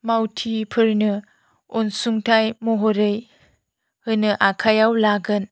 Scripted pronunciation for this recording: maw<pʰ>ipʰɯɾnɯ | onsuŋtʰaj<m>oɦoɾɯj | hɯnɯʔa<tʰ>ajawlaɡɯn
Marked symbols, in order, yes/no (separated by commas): no, yes, no